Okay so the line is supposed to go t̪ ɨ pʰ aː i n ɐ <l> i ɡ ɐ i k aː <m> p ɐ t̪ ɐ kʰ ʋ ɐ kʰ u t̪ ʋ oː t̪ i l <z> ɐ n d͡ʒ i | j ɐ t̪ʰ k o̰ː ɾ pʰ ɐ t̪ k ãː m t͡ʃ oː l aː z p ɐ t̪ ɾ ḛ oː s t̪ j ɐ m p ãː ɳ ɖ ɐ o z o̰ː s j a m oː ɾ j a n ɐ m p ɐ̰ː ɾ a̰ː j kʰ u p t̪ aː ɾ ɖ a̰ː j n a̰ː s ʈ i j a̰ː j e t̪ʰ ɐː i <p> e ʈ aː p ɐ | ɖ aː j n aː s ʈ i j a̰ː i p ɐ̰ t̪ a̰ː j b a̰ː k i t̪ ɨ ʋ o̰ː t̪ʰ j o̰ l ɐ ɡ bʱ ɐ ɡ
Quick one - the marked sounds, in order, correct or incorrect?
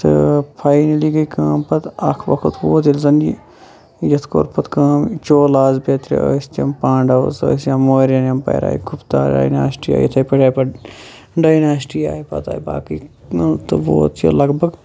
correct, correct, correct, correct

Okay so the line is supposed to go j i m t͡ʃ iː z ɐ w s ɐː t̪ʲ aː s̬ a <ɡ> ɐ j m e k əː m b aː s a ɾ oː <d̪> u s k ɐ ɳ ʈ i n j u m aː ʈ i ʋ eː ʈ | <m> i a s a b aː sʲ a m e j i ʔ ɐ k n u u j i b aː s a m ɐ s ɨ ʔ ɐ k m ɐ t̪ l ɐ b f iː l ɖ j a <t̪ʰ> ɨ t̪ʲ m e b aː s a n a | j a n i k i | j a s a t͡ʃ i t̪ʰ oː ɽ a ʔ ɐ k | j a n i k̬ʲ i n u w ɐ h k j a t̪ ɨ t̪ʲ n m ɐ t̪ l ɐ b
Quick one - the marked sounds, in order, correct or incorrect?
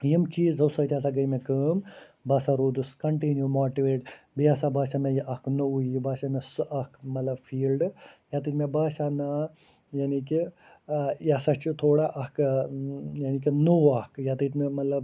correct, correct, incorrect, incorrect

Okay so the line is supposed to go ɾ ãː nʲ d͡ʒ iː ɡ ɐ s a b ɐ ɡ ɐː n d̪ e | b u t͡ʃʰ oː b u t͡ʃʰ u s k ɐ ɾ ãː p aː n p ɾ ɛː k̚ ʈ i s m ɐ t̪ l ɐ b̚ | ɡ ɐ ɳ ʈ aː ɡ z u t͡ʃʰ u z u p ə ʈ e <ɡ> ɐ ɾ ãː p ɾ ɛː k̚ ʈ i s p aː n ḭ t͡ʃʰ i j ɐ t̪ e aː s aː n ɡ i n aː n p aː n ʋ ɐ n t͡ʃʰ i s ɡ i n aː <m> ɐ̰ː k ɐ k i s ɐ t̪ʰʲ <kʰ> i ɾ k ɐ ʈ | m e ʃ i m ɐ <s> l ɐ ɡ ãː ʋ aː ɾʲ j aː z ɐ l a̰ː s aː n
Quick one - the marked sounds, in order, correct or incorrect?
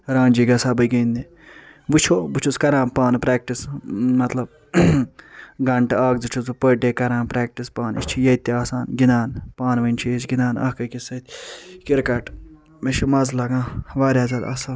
incorrect, incorrect, incorrect, incorrect

